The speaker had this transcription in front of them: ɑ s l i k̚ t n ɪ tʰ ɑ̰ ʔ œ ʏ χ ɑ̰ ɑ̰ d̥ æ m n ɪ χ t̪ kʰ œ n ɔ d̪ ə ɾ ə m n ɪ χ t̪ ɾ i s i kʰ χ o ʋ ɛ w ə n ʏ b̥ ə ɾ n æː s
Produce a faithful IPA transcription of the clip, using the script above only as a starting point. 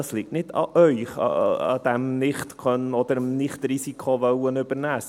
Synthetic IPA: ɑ s l i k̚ t n ɪ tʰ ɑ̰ ʔ œ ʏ χ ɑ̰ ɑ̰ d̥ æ m n ɪ χ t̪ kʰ œ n ɔ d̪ ə ɾ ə m n ɪ χ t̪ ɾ i s i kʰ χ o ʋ œ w ə n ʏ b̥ ə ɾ n æː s